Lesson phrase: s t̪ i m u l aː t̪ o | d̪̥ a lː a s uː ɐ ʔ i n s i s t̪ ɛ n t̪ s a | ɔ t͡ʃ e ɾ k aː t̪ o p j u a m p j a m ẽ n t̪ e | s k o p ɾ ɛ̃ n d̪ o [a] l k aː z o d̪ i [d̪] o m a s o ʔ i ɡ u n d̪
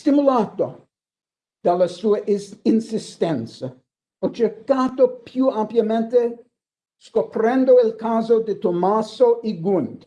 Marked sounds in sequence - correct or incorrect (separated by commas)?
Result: incorrect, incorrect